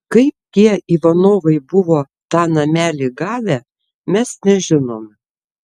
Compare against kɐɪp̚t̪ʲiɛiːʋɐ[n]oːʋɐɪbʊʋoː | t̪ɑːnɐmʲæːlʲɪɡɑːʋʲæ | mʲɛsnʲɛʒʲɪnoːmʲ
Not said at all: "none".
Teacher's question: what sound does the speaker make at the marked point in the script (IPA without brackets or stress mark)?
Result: n